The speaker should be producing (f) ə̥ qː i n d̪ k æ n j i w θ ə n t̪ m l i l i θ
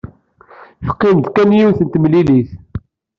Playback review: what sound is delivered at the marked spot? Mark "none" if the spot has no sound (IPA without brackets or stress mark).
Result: f